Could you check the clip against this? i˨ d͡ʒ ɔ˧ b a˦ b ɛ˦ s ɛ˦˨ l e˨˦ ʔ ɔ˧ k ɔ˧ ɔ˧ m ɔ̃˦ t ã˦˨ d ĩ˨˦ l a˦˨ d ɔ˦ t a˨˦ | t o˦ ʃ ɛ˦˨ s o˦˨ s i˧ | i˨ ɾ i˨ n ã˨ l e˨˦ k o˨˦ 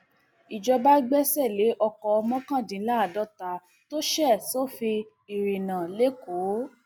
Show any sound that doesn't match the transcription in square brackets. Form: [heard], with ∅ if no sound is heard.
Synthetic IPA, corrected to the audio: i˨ d͡ʒ ɔ˧ b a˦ [ɡ͡b] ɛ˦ s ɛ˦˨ l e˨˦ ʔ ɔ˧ k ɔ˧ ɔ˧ m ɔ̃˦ [k] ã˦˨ d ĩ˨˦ l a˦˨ d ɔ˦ t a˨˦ | t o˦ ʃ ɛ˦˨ s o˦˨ [f] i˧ | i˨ ɾ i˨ n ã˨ l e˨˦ k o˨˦